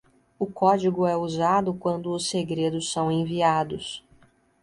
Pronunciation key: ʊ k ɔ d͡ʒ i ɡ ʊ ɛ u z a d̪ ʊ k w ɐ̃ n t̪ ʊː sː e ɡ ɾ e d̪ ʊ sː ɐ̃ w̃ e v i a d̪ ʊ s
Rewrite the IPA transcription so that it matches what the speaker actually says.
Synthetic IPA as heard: ʊ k ɔ d͡ʒ i ɡ ʊ ɛ u z a d̪ ʊ k w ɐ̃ n d̪ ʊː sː e ɡ ɾ e d̪ ʊ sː ɐ̃ w̃ ẽ v i a d̪ ʊ s